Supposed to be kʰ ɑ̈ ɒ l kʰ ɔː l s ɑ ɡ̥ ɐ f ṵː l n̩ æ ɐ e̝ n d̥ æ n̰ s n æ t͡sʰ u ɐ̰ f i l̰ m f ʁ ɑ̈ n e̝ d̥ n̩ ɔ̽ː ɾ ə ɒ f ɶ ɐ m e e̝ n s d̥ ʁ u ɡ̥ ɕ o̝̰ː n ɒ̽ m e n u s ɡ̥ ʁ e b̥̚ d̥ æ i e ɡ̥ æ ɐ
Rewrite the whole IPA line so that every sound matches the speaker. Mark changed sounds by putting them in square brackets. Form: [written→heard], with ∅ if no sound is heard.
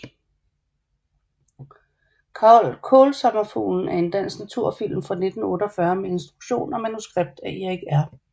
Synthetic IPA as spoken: kʰ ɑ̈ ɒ l kʰ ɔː l s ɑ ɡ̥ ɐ f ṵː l n̩ æ ɐ e̝ n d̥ æ n̰ s n æ t͡sʰ u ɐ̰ f i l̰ m f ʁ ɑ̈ n e̝ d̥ n̩ ɔ̽ː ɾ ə ɒ f ɶ ɐ m e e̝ n s d̥ ʁ u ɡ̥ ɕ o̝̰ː n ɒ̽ m [e→æ] n u s ɡ̥ ʁ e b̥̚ d̥ æ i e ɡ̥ æ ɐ